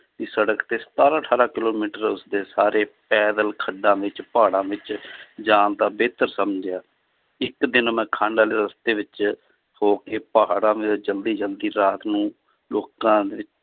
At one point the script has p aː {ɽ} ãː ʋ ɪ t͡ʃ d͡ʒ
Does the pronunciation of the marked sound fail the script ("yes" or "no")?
no